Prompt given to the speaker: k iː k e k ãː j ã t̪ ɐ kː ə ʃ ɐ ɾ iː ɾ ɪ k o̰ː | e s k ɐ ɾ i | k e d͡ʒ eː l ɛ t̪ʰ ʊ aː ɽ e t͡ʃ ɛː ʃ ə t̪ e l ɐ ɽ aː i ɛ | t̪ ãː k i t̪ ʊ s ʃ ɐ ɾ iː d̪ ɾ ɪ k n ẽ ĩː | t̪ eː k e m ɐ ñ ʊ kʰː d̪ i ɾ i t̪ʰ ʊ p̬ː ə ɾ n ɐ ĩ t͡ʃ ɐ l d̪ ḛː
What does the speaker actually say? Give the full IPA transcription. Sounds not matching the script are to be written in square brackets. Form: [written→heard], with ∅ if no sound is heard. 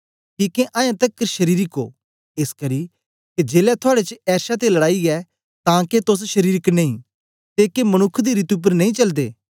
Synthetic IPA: k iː k e [k→ʔ] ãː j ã t̪ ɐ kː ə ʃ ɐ ɾ iː ɾ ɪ k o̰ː | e s k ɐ ɾ i | k e d͡ʒ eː l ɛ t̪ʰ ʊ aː ɽ e t͡ʃ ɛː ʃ [ə→a] t̪ e l ɐ ɽ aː i ɛ | t̪ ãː k [i→e] t̪ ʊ s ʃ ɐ ɾ iː [d̪→∅] ɾ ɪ k n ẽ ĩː | t̪ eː k e m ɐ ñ ʊ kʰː d̪ i ɾ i [t̪ʰ→t̪] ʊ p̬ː ə ɾ n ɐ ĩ t͡ʃ ɐ l d̪ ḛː